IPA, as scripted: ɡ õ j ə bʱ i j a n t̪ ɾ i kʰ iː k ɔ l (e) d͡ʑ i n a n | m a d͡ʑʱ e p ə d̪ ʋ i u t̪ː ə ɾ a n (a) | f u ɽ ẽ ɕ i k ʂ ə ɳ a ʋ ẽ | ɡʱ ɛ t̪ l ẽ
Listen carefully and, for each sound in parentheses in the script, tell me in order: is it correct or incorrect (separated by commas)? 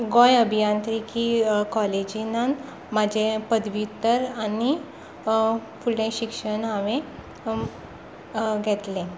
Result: correct, incorrect